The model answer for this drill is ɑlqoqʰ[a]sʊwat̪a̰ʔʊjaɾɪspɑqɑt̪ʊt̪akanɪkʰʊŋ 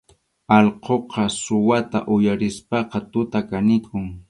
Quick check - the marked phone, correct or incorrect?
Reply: incorrect